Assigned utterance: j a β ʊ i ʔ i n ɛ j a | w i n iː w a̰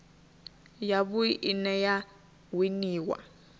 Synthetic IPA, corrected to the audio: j a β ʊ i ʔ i n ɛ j a | w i n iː w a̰